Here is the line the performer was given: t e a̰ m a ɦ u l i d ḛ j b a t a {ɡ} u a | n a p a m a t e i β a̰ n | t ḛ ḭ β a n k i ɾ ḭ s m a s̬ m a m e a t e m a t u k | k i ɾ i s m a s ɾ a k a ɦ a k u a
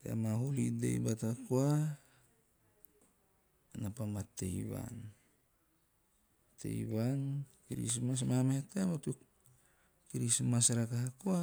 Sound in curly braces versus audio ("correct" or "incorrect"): incorrect